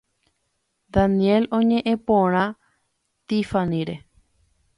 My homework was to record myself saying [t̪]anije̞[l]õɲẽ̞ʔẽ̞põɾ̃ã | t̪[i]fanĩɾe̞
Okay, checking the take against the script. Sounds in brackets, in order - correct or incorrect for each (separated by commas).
incorrect, correct, correct